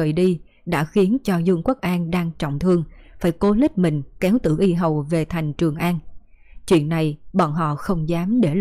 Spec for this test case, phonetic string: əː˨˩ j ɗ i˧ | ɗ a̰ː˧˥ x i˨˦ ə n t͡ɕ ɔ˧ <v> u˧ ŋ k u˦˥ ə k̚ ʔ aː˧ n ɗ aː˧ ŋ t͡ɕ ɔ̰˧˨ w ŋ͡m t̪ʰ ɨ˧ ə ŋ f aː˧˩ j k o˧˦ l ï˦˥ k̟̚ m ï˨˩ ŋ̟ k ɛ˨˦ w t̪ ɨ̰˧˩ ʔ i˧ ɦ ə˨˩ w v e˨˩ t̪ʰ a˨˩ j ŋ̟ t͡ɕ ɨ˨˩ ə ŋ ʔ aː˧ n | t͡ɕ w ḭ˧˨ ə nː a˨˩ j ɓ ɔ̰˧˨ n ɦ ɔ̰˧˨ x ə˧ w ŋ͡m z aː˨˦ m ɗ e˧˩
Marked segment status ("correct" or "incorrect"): incorrect